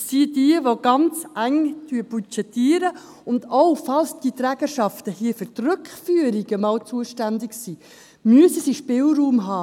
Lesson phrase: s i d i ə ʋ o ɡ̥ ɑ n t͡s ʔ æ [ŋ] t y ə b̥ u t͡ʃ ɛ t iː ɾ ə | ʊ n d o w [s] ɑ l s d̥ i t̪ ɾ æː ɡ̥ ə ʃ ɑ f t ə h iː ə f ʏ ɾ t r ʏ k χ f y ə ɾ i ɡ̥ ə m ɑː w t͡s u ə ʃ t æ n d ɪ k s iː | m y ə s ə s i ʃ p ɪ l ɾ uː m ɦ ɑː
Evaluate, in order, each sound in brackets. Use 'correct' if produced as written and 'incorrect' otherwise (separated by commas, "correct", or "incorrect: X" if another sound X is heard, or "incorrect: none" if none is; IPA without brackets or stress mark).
correct, incorrect: f